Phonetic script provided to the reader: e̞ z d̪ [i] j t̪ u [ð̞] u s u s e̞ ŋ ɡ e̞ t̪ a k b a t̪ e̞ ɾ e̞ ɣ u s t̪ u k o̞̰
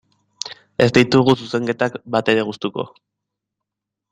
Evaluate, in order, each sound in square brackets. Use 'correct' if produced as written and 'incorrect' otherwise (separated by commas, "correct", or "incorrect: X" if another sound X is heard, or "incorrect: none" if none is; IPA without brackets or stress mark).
correct, incorrect: ɣ̞